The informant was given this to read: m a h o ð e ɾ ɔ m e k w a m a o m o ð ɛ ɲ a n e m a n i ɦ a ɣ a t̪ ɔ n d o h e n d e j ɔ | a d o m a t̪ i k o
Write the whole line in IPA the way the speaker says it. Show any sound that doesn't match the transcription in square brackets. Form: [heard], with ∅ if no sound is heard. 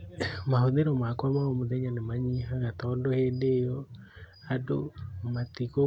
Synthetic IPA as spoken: m a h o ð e ɾ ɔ m [a] k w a m a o m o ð ɛ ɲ a n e m a [ɲ] i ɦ a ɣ a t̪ ɔ n d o h e n d e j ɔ | a d o m a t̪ i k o